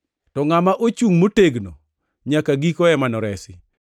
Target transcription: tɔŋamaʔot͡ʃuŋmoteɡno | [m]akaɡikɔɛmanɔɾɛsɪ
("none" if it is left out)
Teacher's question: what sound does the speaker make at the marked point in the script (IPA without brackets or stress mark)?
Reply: ɲ